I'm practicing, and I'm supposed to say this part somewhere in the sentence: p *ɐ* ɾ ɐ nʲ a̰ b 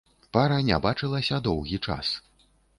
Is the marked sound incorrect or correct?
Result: incorrect